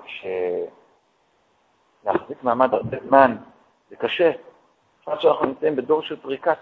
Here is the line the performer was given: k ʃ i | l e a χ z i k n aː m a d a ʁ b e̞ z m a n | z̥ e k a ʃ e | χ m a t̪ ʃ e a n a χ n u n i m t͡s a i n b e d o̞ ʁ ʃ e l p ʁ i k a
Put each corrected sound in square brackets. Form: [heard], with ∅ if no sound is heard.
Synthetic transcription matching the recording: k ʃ [e] | l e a χ z i k [m] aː m a d a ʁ b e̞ z m a n | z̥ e k a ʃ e | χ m a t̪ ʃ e a n a χ n u n i m t͡s a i [m] b e d o̞ ʁ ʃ e l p ʁ i k a